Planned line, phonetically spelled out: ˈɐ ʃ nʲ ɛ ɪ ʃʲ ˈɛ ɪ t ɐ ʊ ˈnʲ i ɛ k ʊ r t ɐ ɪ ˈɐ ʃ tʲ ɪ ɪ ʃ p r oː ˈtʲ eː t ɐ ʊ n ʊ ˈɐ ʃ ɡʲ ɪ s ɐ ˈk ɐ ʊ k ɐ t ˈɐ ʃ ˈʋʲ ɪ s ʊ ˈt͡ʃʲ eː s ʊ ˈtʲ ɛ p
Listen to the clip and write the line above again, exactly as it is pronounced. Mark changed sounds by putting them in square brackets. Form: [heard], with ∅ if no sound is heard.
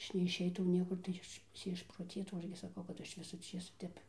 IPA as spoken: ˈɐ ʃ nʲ ɛ ɪ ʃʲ ˈɛ ɪ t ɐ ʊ ˈnʲ i ɛ k ʊ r t ɐ ɪ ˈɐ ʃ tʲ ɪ ɪ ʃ p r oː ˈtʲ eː t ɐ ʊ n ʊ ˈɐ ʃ ɡʲ ɪ s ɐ ˈk ɐ ʊ k ɐ t ˈɐ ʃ ˈʋʲ ɪ s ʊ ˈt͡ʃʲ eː s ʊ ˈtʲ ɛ p